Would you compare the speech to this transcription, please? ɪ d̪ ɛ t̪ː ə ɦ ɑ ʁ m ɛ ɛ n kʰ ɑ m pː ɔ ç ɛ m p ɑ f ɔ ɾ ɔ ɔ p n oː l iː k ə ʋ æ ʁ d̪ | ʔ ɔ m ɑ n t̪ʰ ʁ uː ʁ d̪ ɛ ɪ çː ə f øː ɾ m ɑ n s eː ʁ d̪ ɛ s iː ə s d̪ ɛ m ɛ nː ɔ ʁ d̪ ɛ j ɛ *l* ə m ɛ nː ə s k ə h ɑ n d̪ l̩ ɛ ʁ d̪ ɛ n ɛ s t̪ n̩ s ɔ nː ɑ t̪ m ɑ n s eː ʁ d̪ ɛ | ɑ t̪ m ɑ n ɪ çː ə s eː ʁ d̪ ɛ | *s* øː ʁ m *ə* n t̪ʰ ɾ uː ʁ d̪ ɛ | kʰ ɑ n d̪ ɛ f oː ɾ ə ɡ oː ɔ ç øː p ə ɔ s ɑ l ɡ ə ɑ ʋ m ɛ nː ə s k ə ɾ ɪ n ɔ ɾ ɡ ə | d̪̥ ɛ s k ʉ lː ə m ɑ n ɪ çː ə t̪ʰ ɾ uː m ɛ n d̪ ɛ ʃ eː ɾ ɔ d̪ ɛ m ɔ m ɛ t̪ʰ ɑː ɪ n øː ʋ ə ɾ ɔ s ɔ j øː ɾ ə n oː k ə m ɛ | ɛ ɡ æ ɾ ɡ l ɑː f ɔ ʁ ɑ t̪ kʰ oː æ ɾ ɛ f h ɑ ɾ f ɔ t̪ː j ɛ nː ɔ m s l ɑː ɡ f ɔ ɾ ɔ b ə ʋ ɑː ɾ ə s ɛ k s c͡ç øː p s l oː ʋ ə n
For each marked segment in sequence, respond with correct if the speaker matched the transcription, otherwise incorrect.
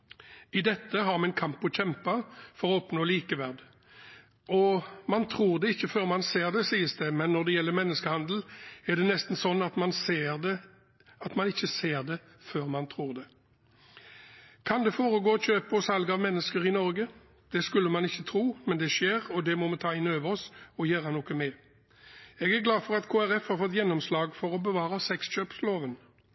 incorrect, incorrect, incorrect

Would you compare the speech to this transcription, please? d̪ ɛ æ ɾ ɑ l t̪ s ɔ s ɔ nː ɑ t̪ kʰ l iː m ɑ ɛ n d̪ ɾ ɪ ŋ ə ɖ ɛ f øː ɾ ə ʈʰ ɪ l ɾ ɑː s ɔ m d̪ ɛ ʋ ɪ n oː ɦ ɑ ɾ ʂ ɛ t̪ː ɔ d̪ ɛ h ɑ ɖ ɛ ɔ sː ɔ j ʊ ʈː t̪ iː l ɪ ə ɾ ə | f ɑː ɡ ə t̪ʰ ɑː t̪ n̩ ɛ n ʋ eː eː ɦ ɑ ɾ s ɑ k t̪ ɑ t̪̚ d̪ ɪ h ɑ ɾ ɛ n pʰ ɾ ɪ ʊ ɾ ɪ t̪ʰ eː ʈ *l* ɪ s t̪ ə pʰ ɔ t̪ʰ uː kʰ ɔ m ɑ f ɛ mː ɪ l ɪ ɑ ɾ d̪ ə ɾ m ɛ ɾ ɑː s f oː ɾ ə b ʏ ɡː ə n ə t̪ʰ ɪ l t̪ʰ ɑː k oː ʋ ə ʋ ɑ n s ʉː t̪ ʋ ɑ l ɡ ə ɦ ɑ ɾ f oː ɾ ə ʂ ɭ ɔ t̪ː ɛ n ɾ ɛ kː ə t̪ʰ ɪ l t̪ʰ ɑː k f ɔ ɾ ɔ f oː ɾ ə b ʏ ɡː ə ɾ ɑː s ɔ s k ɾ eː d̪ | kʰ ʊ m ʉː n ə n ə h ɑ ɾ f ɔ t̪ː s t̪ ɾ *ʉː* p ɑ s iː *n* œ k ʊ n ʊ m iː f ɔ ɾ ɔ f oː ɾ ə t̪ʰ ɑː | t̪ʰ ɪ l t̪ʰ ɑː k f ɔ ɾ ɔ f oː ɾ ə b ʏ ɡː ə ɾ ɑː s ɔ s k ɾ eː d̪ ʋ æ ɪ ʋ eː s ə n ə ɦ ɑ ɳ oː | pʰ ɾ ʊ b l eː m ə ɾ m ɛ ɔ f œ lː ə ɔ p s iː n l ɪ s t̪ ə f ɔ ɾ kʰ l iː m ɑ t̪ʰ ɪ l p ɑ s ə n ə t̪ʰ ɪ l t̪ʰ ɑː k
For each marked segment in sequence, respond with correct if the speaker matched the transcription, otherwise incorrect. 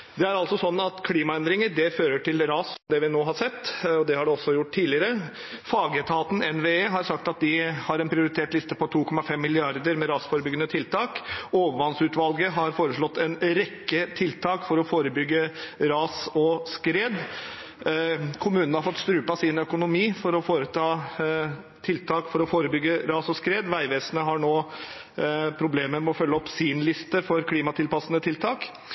correct, correct, correct

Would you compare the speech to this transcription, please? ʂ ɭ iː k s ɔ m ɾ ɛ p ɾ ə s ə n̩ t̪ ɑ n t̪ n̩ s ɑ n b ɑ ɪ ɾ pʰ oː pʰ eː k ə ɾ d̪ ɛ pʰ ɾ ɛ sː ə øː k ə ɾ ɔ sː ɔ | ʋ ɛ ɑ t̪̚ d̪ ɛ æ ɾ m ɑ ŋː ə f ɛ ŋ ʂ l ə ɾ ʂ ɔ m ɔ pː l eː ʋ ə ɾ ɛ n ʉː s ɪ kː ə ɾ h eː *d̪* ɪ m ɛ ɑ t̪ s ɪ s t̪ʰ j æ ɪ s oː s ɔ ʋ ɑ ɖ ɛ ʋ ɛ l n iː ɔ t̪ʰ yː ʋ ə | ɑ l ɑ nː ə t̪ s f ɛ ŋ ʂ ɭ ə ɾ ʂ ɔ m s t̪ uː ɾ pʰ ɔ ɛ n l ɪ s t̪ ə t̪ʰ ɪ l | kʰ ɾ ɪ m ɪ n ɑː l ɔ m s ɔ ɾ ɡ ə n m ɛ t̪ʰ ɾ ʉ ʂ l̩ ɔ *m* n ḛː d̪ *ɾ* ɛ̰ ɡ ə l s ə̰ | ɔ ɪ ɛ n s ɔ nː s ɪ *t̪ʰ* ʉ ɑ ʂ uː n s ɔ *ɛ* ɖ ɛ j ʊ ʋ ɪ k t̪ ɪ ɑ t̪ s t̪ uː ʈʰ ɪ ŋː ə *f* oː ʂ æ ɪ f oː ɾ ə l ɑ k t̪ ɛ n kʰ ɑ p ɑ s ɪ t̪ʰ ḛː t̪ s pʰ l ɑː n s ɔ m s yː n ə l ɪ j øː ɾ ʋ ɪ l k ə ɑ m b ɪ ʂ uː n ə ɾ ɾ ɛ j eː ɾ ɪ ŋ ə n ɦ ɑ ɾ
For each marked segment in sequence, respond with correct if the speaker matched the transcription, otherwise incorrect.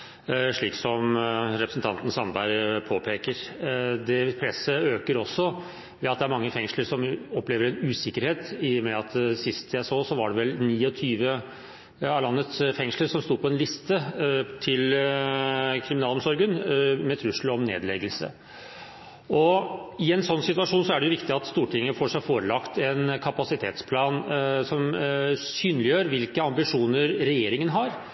incorrect, correct, incorrect, incorrect, incorrect, correct

